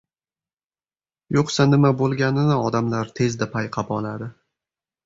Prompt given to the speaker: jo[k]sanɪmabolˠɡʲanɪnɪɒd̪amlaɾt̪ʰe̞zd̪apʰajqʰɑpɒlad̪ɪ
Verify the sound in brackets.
incorrect: q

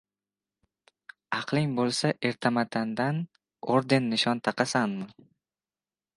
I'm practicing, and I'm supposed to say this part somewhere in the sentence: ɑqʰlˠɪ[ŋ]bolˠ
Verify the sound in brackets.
correct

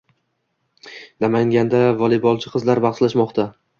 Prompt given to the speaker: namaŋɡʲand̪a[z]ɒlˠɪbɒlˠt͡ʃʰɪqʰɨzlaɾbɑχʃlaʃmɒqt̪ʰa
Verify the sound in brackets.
incorrect: v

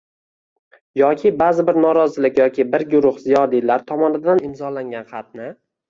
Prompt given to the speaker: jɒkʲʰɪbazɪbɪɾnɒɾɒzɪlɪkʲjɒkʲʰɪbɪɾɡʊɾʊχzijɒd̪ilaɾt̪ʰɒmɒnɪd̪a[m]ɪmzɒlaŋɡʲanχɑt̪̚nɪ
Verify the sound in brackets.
incorrect: n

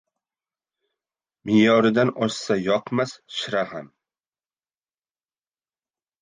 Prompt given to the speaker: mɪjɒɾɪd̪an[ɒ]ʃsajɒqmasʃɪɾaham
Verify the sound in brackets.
correct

